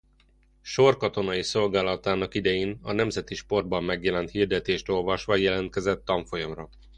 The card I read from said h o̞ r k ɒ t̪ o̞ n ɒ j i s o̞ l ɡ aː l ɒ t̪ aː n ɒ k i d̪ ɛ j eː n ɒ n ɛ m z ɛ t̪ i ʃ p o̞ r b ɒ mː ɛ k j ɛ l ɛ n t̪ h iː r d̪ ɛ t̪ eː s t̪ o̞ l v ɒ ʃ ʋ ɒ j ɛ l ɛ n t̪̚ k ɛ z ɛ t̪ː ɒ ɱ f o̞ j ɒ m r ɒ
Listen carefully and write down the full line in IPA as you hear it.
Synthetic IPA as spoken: ʃ o̞ r k ɒ t̪ o̞ n ɒ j i s o̞ l ɡ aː l ɒ t̪ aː n ɒ k i d̪ ɛ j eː n ɒ n ɛ m z ɛ t̪ i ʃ p o̞ r b ɒ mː ɛ ɡ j ɛ l ɛ n t̪ h iː r d̪ ɛ t̪ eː ʃ t̪ o̞ l v ɒ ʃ ʋ ɒ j ɛ l ɛ n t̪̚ k ɛ z ɛ t̪ː ɒ ɱ f o̞ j ɒ m r ɒ